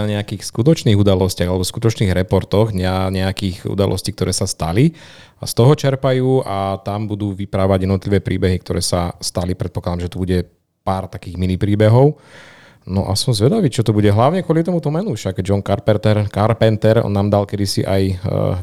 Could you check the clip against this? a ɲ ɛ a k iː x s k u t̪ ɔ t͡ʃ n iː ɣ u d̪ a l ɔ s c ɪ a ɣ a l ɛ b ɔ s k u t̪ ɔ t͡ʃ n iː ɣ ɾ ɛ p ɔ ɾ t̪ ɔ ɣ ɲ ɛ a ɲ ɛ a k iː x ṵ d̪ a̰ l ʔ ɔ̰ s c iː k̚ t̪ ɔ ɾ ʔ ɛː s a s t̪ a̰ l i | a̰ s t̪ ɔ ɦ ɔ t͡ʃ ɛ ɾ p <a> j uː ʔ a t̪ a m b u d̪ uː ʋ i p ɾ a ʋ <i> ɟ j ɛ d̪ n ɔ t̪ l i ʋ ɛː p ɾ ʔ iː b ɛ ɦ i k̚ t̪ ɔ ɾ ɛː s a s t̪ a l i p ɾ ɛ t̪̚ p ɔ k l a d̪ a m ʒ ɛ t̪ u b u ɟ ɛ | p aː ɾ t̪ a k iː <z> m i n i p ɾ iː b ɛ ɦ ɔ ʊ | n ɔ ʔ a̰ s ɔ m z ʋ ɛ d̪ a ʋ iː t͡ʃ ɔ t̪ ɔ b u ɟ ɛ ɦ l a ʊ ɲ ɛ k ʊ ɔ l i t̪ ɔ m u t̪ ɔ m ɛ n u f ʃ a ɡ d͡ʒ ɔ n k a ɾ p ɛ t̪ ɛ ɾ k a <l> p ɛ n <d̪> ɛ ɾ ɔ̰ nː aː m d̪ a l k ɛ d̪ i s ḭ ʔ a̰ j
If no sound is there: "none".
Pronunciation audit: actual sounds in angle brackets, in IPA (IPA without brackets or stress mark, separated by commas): a, a, ɣ, ɾ, t̪